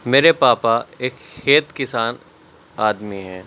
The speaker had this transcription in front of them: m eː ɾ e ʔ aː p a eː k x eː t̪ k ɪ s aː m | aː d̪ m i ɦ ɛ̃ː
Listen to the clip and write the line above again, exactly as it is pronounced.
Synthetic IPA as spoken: m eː ɾ e p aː p a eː k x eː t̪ k ɪ s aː n | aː d̪ m i ɦ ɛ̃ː